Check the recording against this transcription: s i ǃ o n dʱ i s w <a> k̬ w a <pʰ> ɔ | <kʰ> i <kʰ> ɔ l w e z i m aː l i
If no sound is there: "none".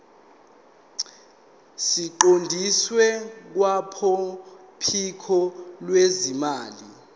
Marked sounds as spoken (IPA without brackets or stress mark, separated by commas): ɛ, pʰ, pʰ, kʰ